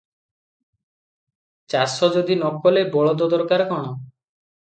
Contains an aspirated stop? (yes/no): no